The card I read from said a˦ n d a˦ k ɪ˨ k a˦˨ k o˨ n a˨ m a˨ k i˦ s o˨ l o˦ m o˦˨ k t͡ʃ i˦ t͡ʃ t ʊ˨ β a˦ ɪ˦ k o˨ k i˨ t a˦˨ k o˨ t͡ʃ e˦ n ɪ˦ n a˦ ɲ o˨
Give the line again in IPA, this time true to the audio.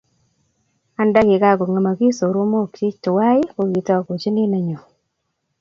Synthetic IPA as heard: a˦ n d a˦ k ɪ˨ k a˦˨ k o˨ ŋ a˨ m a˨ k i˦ s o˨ ɾ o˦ m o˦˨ k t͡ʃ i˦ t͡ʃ t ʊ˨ w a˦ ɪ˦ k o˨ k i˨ t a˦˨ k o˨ t͡ʃ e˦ n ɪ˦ n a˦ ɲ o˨